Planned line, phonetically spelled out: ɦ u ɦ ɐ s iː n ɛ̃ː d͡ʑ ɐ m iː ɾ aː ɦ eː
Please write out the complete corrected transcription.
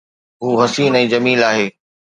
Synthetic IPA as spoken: ɦ uː ɦ ɐ s iː n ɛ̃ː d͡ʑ ɐ m iː l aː ɦ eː